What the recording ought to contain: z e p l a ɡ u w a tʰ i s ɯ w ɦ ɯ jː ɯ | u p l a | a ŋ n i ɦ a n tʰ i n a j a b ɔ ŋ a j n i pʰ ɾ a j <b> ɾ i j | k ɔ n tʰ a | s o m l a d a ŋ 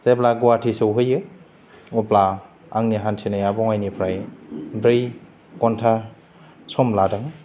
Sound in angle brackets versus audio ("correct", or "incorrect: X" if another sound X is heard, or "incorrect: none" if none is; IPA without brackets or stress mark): correct